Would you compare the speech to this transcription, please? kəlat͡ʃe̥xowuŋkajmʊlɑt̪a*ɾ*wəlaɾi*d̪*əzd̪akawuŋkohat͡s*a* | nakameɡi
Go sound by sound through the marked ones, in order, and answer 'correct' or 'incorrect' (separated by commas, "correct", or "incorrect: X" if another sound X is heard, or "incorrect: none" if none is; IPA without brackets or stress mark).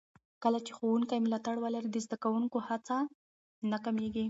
incorrect: ɽ, correct, correct